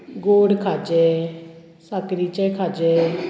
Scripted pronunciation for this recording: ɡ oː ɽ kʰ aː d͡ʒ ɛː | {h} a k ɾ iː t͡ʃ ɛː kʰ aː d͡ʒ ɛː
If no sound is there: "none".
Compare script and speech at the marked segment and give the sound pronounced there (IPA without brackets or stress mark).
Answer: s